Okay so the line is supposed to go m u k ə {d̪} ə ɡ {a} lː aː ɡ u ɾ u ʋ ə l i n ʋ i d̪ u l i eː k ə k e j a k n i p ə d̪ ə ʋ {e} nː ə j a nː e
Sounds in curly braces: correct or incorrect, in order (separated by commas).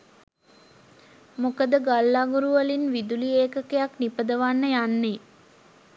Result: correct, correct, incorrect